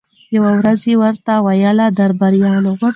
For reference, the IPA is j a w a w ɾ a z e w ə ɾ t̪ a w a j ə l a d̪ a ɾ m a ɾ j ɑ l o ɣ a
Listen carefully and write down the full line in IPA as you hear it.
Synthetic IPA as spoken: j a w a w ɾ a z e w ə ɾ t̪ a w a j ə l a d̪ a ɾ b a ɾ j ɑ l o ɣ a